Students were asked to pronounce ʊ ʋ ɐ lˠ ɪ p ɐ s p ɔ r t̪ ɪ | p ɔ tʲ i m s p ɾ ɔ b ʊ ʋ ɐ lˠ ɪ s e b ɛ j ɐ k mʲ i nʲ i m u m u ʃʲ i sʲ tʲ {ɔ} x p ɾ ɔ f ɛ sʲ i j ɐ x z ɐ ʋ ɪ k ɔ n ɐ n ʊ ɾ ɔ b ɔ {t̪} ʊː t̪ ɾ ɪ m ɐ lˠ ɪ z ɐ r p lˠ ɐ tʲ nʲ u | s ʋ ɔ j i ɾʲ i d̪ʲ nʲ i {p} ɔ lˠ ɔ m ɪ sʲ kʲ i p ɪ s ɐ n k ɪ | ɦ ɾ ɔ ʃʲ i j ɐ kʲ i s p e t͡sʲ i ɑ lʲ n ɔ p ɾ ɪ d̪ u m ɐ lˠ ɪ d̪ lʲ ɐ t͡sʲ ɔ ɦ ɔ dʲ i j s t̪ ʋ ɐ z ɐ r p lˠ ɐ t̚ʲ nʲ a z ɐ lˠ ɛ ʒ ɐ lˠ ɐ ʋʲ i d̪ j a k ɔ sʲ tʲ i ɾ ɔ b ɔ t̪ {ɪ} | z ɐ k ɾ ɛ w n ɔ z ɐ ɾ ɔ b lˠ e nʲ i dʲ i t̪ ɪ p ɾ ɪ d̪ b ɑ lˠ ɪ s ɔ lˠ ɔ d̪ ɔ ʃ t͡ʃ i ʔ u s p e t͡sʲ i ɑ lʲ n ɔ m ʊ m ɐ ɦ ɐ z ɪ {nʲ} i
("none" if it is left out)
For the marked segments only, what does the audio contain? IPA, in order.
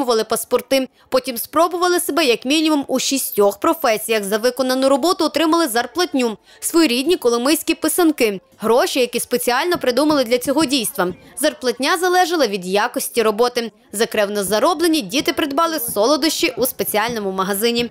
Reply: ɔ, t̪, k, ɪ, nʲ

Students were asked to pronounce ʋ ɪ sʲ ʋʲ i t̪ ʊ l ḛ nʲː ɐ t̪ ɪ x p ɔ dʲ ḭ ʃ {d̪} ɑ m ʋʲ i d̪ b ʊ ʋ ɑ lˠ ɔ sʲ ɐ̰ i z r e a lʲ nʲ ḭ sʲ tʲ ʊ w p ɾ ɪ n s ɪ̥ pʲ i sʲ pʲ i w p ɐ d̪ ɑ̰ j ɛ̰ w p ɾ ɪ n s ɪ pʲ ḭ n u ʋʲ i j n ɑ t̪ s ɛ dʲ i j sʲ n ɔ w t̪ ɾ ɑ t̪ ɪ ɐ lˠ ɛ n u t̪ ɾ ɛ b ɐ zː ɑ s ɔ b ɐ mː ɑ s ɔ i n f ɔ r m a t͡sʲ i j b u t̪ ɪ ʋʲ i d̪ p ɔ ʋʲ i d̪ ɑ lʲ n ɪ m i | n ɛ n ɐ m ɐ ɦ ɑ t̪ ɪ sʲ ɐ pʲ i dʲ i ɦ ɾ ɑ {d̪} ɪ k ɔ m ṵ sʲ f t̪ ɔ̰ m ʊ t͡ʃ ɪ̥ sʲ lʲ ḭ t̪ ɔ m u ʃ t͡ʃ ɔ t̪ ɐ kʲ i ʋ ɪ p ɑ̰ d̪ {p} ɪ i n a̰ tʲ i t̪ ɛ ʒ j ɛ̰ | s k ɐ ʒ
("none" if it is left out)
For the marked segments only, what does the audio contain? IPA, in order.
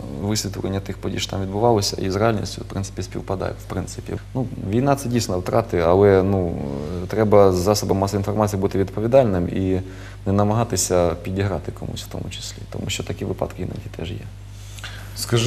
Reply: t̪, t̪, k

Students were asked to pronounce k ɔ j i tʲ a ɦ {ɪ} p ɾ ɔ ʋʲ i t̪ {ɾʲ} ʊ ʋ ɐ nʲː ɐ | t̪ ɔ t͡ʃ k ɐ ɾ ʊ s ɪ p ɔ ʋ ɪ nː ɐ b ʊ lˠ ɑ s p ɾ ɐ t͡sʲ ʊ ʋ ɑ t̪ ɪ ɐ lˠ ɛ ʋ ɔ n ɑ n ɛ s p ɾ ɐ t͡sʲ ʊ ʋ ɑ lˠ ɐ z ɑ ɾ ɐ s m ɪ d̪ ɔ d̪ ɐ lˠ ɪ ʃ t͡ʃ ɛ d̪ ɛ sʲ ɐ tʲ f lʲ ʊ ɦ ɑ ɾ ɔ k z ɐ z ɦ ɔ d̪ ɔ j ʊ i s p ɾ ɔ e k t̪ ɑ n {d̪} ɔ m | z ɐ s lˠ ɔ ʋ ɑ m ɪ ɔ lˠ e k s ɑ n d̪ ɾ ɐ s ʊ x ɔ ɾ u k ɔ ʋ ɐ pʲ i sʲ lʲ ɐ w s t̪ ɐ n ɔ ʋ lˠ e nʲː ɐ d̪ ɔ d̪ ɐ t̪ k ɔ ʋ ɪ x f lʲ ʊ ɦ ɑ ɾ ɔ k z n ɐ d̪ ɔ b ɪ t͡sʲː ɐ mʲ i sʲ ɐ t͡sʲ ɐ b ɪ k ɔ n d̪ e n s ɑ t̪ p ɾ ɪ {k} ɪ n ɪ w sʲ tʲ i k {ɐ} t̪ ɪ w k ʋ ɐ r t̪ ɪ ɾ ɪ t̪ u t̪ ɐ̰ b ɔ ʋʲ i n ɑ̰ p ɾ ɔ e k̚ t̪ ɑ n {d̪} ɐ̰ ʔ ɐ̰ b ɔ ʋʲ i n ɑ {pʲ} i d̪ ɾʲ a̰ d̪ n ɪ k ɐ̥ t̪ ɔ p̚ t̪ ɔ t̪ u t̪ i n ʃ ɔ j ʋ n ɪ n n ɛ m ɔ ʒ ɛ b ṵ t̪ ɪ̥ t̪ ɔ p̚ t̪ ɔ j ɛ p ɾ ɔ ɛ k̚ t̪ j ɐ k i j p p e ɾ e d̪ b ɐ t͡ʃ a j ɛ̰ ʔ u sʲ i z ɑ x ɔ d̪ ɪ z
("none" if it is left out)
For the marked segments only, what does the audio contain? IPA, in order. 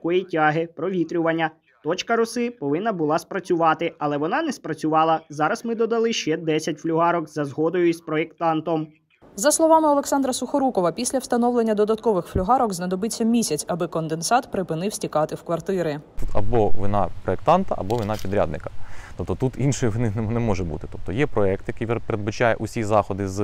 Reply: ɪ, ɾʲ, t̪, p, ɑ, t̪, pʲ

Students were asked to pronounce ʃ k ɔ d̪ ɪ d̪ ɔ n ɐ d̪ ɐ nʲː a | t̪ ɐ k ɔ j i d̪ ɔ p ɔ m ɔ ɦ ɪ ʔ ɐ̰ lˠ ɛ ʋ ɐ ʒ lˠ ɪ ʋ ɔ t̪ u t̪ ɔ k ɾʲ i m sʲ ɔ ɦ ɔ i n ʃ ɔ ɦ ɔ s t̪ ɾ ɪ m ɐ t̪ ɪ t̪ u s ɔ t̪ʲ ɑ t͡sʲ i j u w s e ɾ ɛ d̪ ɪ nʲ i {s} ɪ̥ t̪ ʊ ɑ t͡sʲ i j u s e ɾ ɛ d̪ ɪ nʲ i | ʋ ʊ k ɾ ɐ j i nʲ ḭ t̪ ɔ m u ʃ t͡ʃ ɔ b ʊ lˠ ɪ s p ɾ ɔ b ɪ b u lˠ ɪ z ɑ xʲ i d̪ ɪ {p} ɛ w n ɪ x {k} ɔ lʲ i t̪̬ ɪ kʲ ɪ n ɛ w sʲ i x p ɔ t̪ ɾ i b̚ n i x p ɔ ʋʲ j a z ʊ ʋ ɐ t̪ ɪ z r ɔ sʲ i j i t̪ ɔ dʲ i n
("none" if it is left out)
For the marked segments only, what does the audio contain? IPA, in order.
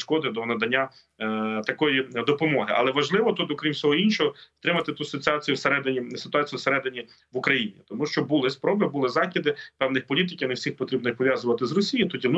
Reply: s, p, p

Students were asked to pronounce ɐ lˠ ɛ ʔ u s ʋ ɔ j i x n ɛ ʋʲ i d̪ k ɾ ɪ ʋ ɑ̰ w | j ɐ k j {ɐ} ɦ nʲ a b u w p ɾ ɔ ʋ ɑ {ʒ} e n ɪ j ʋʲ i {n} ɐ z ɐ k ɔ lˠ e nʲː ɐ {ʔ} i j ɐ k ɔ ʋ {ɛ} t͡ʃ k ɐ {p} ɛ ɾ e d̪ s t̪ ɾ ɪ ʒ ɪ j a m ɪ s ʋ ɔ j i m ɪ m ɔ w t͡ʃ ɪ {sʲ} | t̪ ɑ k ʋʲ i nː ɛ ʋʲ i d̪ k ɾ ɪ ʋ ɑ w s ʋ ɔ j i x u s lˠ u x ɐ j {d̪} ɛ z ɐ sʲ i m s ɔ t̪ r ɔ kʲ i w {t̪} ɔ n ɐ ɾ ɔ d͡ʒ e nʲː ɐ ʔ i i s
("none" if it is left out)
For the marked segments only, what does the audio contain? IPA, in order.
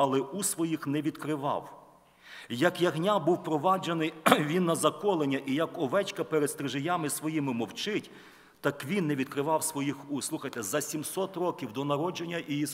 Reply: ɐ, d͡ʒ, nː, ʔ, ɛ, p, tʲ, t̪, d̪

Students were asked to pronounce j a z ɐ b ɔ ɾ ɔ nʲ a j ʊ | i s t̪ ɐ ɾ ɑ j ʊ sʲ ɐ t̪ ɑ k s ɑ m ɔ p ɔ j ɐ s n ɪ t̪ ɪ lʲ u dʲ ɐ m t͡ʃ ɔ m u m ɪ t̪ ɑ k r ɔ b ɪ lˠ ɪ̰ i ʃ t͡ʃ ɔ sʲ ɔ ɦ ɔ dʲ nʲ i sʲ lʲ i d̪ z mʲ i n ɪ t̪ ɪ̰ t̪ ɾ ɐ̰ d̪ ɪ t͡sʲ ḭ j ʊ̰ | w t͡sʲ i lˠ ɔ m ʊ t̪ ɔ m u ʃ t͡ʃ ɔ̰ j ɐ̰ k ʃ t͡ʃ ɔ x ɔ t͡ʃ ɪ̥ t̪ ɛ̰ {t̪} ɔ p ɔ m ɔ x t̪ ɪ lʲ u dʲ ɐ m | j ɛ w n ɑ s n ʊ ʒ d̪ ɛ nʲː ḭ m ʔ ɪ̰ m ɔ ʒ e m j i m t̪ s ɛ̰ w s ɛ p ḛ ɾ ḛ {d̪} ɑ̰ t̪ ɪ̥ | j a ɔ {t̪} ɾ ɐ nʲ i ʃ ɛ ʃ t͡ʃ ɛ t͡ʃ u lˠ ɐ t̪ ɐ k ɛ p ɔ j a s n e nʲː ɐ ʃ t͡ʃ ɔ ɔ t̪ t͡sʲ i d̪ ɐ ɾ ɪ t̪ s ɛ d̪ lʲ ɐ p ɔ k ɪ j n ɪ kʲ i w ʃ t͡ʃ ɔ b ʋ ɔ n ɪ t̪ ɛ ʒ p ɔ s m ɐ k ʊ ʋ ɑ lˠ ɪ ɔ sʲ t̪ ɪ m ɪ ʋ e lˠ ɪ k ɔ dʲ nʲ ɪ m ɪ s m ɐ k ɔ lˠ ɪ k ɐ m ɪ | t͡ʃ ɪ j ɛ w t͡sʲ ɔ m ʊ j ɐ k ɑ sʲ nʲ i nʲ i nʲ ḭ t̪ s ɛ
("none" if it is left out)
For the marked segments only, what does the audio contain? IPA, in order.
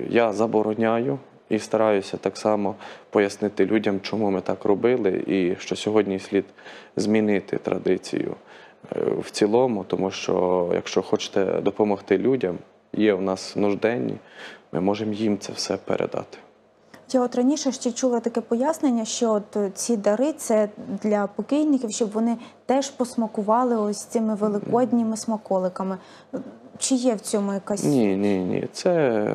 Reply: d̪, d̪, t̪

